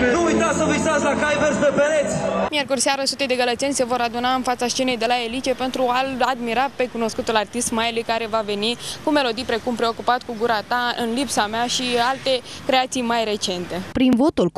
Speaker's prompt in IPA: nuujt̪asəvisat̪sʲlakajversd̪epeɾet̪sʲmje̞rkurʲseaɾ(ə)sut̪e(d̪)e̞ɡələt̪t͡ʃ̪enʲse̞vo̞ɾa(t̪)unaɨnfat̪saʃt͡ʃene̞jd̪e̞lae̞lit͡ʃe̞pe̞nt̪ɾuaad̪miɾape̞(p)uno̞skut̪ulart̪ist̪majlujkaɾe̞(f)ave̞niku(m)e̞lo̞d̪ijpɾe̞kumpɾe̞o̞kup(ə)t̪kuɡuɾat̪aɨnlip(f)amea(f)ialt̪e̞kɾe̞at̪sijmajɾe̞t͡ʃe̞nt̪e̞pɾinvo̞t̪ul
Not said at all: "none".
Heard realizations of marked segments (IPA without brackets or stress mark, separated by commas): ə, d̪, d̪, k, v, m, a, s, ʃ